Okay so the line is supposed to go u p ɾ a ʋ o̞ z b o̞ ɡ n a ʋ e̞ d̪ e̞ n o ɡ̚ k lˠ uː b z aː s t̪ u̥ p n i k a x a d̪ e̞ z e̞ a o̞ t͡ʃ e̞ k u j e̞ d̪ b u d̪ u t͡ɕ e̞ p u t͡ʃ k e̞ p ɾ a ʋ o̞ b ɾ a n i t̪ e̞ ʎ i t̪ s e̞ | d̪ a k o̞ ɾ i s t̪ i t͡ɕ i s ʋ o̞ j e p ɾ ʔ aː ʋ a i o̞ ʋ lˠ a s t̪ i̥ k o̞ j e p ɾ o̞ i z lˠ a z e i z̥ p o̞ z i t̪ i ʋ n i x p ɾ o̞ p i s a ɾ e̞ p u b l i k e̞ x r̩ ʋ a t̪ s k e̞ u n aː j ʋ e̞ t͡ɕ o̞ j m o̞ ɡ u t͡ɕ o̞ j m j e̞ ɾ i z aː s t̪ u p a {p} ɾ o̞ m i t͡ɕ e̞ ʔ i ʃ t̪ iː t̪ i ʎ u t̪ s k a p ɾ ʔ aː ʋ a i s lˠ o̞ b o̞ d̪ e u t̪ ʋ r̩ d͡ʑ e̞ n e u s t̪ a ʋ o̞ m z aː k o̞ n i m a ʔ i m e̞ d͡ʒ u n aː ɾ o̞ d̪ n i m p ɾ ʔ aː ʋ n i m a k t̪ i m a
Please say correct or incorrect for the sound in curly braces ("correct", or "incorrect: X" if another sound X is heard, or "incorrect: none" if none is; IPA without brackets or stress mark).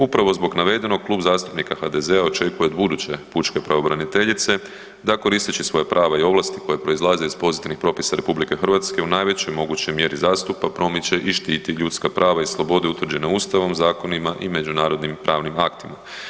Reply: correct